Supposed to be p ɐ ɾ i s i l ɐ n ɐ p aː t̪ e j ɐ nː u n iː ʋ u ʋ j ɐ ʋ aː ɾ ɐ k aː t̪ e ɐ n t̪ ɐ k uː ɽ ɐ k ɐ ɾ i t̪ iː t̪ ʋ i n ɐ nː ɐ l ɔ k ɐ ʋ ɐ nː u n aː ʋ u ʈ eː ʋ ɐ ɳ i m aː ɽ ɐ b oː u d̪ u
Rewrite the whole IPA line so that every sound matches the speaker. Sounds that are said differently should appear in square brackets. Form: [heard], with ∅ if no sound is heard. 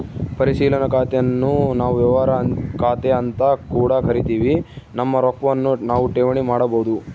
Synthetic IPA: p ɐ ɾ i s [iː] l ɐ n ɐ [k] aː t̪ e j ɐ nː u n [aː] ʋ u ʋ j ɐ ʋ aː ɾ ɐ k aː t̪ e ɐ n t̪ ɐ k uː ɽ ɐ k ɐ ɾ i t̪ iː [∅] ʋ i n ɐ [mː] ɐ [ɾ] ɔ k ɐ ʋ ɐ nː u n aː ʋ u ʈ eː ʋ ɐ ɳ i m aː ɽ ɐ b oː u d̪ u

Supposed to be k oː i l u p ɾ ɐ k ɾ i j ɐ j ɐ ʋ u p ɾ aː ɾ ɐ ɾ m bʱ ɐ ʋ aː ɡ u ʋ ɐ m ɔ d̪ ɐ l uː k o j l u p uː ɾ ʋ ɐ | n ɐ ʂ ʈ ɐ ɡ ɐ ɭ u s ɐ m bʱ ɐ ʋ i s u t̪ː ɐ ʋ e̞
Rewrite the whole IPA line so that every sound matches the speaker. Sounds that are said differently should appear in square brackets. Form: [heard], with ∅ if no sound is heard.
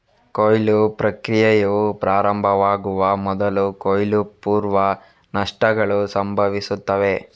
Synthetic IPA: k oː [j] l u p ɾ ɐ k ɾ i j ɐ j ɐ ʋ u p ɾ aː ɾ ɐ [∅] m bʱ ɐ ʋ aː ɡ u ʋ ɐ m ɔ d̪ ɐ l [u] k o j l u p uː ɾ ʋ ɐ | n ɐ ʂ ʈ ɐ ɡ ɐ ɭ u s ɐ m bʱ ɐ ʋ i s u t̪ː ɐ ʋ e̞

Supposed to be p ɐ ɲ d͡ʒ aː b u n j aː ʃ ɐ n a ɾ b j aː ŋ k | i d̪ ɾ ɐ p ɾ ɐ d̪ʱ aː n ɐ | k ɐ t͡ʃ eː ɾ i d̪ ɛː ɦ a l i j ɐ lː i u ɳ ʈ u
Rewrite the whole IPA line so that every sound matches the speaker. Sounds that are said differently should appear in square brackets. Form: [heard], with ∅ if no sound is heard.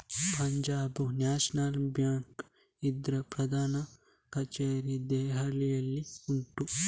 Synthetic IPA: p ɐ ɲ d͡ʒ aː b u n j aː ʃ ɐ n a [l] b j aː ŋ k | i d̪ ɾ ɐ p ɾ ɐ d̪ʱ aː n ɐ | k ɐ t͡ʃ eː ɾ i d̪ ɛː ɦ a l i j ɐ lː i u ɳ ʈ u

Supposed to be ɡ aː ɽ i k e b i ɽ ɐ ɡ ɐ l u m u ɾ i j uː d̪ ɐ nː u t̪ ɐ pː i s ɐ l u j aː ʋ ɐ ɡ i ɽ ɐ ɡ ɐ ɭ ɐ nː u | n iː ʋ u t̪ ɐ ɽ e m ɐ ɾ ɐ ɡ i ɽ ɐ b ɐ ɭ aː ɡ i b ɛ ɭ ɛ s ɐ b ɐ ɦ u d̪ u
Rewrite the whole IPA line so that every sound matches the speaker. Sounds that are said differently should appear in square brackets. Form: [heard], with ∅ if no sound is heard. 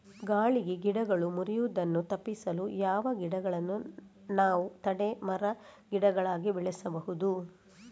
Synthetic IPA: ɡ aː [ɭ] i [ɡ] e [ɡ] i ɽ ɐ ɡ ɐ [ɭ] u m u ɾ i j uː d̪ ɐ nː u t̪ ɐ pː i s ɐ l u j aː ʋ ɐ ɡ i ɽ ɐ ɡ ɐ ɭ ɐ nː u | n [aː] ʋ u t̪ ɐ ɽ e m ɐ ɾ ɐ ɡ i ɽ ɐ [ɡ] ɐ ɭ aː ɡ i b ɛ ɭ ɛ s ɐ b ɐ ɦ u d̪ u

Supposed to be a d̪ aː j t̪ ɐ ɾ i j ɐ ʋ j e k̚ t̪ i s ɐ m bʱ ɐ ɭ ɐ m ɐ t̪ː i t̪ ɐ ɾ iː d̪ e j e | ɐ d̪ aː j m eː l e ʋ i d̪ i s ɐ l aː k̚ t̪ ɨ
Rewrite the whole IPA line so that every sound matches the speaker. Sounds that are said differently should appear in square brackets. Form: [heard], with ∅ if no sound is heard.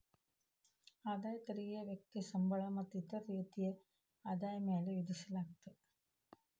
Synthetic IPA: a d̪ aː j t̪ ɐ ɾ i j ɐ ʋ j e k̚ t̪ i s ɐ m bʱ ɐ ɭ ɐ m ɐ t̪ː i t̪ ɐ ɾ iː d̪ [i] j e | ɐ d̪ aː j m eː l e ʋ i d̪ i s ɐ l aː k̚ t̪ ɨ

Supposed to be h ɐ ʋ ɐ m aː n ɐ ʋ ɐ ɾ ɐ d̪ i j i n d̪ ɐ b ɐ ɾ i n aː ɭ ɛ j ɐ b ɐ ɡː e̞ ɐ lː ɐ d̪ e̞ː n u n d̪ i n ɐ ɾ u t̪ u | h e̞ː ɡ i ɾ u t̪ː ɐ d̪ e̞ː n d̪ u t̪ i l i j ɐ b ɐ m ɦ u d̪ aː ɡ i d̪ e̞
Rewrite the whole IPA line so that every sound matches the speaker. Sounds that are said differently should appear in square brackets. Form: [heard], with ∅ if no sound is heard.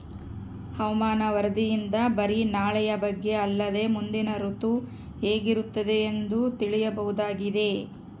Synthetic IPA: h ɐ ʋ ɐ m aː n ɐ ʋ ɐ ɾ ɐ d̪ i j i n d̪ ɐ b ɐ ɾ i n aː ɭ ɛ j ɐ b ɐ ɡː e̞ ɐ lː ɐ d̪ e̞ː [m] u n d̪ i n ɐ ɾ u t̪ u | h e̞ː ɡ i ɾ u t̪ː ɐ d̪ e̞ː n d̪ u t̪ i [ɭ] i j ɐ b ɐ [∅] ɦ u d̪ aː ɡ i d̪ e̞

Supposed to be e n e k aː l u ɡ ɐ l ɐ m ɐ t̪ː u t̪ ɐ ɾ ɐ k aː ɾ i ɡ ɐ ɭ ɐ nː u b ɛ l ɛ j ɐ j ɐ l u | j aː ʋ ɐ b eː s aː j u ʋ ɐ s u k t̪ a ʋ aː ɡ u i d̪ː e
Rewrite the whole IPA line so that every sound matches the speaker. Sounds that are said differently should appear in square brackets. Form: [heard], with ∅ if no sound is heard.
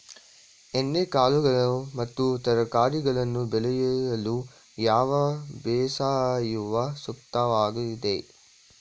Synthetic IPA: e [nː] e k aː l u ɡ ɐ [ɭ] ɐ m ɐ t̪ː u t̪ ɐ ɾ ɐ k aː ɾ i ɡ ɐ ɭ ɐ nː u b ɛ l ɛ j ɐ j ɐ l u | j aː ʋ ɐ b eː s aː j u ʋ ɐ s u k t̪ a ʋ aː ɡ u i [d̪] e

